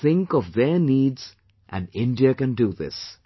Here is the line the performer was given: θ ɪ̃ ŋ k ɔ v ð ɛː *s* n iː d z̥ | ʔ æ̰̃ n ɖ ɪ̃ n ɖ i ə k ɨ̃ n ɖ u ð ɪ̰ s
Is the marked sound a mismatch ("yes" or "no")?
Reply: yes